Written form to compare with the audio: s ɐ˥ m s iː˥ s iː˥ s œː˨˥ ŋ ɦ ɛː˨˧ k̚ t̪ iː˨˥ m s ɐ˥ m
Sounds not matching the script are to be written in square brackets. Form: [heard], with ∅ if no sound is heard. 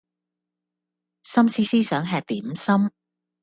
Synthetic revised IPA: s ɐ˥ m s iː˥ s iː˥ s œː˨˥ ŋ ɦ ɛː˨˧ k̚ t̪ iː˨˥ m s ɐ˥ m